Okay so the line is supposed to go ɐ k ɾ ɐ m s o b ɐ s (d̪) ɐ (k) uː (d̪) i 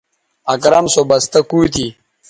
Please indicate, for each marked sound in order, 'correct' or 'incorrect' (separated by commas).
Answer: incorrect, correct, incorrect